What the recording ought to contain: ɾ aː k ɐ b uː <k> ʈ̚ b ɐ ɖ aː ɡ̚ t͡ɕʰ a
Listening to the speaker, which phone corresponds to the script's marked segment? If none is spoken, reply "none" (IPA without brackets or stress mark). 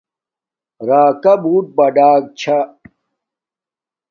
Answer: none